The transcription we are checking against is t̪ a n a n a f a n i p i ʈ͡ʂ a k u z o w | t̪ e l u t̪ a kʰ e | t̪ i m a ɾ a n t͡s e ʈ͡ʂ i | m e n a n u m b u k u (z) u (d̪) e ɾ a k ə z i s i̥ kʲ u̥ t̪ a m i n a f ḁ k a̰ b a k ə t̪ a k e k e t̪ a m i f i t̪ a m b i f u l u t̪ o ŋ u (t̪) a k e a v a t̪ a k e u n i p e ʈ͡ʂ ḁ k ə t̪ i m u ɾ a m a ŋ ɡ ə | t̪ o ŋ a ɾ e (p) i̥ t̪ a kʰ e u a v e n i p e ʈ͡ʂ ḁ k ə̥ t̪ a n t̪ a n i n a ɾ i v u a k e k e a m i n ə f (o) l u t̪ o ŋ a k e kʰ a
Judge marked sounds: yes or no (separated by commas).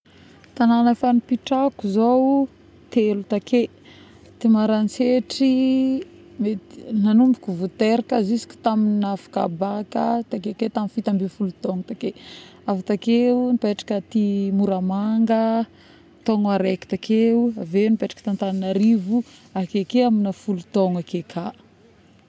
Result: no, no, yes, no, no